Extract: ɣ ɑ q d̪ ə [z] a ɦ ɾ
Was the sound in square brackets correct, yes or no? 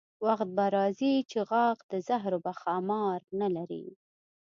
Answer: yes